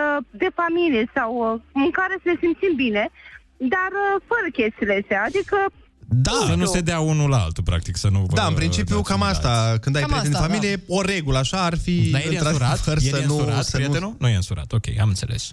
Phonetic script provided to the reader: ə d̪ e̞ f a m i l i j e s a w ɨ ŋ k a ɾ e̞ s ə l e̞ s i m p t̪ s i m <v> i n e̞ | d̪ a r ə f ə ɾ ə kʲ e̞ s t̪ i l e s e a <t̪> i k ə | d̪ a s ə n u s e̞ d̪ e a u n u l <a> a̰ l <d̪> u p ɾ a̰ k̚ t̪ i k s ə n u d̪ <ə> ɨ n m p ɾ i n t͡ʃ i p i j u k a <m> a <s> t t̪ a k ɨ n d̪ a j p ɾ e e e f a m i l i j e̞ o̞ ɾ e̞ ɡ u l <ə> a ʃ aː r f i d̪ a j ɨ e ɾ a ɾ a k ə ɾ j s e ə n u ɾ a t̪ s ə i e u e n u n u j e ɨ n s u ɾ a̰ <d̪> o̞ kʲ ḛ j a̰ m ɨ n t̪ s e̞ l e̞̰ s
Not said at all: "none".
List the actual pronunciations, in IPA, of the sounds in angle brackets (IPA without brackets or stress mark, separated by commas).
b, d̪, a, t̪, a, m, s, ə, t̪